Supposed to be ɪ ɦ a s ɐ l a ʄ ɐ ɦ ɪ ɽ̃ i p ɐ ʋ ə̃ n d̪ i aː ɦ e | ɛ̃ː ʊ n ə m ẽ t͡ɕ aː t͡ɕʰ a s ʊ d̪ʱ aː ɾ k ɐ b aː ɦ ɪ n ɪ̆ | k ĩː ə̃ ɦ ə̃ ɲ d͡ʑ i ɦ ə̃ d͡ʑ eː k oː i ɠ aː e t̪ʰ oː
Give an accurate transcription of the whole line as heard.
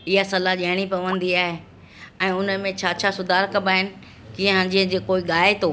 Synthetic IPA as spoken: ɪ ɦ a s ɐ l a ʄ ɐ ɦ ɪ ɽ̃ i p ɐ ʋ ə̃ n d̪ i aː ɦ e | ɛ̃ː ʊ n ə m ẽ t͡ɕʰ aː t͡ɕʰ a s ʊ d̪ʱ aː ɾ k ɐ b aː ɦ ɪ n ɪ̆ | k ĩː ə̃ ɦ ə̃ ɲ d͡ʑ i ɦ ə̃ d͡ʑ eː k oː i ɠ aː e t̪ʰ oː